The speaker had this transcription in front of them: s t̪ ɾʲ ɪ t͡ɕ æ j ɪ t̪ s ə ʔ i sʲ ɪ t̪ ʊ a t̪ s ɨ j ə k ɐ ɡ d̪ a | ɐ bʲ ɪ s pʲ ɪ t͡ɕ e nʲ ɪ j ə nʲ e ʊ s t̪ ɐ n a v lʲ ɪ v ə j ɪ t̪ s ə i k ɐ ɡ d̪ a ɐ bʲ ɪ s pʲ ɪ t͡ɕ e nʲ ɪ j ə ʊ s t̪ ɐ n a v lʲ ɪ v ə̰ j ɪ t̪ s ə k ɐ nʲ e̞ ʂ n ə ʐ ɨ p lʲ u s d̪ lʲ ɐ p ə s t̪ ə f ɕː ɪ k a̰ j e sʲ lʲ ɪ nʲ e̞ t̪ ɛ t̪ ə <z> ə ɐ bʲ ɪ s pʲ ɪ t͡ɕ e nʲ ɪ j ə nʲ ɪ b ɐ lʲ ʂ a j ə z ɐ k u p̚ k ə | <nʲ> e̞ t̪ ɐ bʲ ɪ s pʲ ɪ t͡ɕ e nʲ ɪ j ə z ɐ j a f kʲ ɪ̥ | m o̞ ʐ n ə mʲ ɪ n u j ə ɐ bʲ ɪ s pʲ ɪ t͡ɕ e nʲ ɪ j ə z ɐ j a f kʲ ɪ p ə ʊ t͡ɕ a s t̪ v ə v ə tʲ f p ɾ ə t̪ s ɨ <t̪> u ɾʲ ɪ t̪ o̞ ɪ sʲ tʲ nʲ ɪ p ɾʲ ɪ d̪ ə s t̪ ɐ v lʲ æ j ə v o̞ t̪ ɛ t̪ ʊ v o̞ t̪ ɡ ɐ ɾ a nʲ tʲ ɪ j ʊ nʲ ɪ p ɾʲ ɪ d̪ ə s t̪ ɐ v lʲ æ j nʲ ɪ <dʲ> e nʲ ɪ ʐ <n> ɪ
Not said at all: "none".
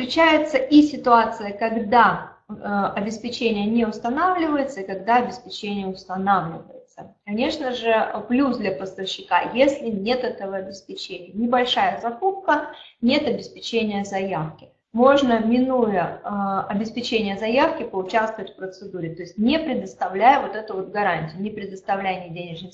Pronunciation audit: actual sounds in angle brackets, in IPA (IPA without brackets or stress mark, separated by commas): v, nʲ, d̪, dʲ, n